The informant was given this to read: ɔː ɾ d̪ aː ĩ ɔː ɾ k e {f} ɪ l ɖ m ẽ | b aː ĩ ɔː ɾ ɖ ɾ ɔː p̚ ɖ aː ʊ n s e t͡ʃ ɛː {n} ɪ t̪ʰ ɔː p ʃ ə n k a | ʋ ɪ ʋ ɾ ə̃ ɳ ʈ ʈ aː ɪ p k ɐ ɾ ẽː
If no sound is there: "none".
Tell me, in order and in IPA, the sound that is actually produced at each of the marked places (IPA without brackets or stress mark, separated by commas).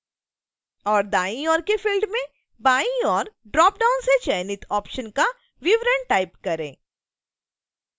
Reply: f, n